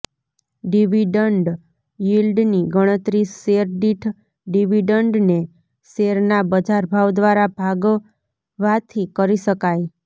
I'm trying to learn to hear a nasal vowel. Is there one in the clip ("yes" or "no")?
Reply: no